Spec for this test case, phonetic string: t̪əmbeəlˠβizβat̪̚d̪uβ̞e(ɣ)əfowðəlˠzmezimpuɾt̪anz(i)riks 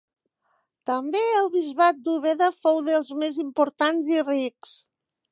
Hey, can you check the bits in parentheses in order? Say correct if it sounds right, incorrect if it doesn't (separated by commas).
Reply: incorrect, correct